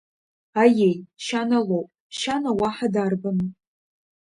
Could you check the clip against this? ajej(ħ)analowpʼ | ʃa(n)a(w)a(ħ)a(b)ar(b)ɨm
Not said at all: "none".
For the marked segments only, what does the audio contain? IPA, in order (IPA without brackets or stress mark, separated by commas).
ʃ, n, w, ħ, d, b